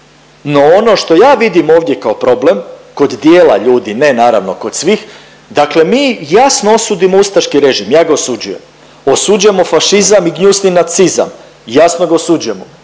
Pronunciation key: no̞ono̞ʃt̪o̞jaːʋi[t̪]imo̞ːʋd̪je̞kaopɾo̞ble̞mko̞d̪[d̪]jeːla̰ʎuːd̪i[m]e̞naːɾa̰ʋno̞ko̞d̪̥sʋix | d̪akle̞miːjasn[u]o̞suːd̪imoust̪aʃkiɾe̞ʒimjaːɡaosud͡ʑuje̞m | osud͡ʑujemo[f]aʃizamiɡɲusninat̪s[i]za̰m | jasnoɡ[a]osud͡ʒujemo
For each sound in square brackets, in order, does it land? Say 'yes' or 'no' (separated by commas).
no, yes, no, no, yes, yes, yes